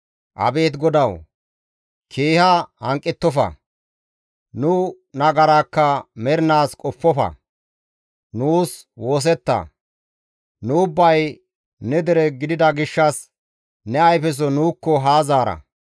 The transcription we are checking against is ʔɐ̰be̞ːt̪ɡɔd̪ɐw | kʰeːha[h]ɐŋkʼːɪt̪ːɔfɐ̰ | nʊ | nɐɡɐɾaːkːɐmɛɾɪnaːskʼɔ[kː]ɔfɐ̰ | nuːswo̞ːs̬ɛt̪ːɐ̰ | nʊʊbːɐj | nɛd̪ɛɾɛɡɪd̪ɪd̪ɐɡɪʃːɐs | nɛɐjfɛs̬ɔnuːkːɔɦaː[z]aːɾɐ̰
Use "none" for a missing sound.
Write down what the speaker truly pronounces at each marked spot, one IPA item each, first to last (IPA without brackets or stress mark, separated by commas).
h, pː, z